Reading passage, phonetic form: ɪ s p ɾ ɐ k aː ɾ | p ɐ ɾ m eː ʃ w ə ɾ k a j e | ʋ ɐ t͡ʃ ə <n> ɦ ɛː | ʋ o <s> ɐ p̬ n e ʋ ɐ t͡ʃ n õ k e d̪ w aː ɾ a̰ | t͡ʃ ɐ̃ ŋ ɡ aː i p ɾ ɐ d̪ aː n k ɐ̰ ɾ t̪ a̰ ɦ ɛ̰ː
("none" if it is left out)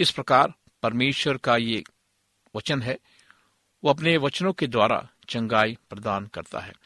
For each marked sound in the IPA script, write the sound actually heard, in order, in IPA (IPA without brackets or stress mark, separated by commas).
n, none